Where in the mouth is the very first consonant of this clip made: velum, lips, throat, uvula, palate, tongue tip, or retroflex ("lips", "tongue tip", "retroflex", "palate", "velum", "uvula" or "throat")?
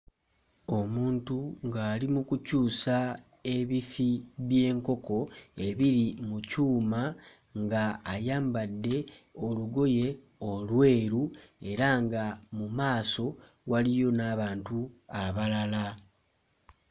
lips